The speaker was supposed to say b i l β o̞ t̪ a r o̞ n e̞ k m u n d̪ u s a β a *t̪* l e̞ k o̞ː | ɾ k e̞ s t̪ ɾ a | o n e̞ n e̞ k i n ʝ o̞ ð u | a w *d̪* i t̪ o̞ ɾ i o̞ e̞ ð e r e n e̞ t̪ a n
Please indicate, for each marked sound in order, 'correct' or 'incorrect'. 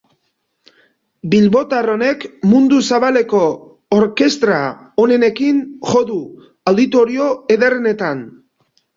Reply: incorrect: none, correct

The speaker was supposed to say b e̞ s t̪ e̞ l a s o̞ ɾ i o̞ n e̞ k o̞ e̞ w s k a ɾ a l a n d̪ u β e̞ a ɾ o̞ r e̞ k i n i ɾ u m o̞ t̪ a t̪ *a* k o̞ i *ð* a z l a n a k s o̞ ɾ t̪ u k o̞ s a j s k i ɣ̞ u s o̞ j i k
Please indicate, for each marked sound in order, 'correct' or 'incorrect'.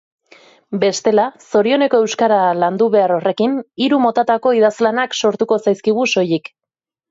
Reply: correct, correct

